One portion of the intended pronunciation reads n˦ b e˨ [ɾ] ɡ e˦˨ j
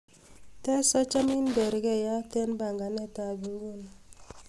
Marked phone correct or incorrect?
correct